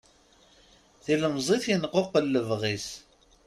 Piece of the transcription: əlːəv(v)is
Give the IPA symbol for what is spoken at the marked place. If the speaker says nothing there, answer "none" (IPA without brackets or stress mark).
ʁ